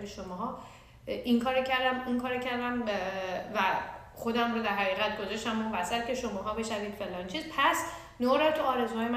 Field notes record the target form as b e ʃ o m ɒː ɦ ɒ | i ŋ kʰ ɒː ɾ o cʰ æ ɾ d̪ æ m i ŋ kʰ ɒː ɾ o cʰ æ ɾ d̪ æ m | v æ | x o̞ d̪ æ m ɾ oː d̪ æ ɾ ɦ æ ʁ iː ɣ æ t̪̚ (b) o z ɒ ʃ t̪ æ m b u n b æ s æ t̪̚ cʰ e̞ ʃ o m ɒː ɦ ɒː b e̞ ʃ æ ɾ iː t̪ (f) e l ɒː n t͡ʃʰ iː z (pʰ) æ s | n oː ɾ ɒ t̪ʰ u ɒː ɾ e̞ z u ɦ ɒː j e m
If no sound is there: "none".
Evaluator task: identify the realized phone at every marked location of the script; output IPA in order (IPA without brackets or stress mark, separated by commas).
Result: ɡ, f, pʰ